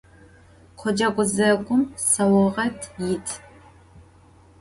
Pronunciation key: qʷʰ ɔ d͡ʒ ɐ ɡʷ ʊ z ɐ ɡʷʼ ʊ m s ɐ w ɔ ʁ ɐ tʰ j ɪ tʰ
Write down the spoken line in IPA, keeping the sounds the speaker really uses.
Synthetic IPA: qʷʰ ɔ d͡ʒ ɐ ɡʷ ʊ z ɐ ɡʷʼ ʊ m s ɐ w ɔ ʁ ɐ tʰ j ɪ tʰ